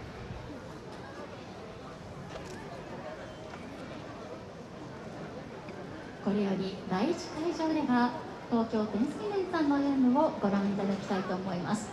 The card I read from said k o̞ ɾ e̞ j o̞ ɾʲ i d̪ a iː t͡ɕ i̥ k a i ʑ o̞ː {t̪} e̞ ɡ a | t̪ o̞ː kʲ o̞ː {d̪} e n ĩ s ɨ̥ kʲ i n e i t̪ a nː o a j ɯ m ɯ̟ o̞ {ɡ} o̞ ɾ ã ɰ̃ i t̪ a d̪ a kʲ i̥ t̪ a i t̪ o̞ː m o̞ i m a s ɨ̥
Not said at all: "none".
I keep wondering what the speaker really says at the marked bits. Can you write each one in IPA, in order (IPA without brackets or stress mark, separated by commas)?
d̪, t̪, ɡ